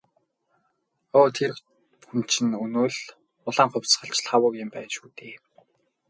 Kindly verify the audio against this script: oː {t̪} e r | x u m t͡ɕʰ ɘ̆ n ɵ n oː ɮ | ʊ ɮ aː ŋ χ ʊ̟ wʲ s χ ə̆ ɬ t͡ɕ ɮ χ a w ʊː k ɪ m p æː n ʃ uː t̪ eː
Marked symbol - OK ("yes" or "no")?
no